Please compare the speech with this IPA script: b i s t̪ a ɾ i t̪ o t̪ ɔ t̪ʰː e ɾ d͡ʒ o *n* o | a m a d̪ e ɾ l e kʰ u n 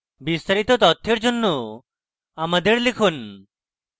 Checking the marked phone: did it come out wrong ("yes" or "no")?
yes